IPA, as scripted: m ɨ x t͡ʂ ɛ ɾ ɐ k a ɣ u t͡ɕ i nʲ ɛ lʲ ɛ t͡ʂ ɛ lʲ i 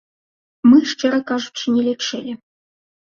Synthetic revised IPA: m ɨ ʂ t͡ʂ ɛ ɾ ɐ k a ʐ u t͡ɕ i nʲ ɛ lʲ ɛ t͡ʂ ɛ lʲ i